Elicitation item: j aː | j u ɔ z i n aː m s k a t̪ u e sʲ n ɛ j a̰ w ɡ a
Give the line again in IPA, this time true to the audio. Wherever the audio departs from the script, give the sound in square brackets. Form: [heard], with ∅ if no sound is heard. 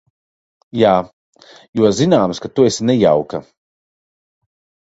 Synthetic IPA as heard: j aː | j u ɔ z i n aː m s k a t̪ u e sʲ n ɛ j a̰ w [k] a